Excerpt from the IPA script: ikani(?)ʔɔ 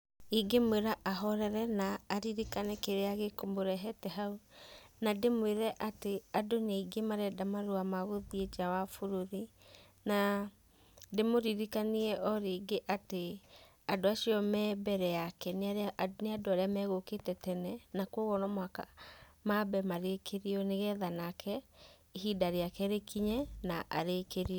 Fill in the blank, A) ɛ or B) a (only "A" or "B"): A